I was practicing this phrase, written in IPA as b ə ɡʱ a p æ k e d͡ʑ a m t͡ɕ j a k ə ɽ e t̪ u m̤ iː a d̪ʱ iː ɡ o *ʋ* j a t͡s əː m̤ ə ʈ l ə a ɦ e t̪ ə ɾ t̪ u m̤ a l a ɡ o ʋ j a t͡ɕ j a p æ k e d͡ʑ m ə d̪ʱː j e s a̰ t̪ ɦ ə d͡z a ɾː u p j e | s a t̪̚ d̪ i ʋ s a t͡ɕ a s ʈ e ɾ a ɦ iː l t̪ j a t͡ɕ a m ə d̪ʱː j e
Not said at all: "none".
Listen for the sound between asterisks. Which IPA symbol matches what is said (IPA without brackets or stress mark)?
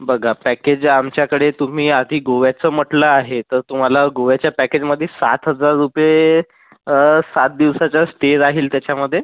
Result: ʋ